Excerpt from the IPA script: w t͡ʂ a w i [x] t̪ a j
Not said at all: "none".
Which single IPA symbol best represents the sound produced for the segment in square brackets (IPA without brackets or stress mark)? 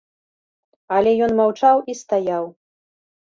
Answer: s